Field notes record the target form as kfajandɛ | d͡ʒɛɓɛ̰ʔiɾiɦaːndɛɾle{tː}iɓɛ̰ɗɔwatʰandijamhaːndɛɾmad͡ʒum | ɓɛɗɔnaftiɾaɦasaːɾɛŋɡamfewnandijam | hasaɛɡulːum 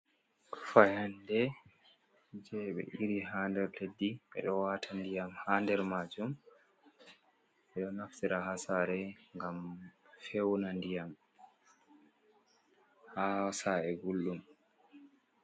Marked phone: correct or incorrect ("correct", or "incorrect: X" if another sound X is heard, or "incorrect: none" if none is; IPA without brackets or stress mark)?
incorrect: dː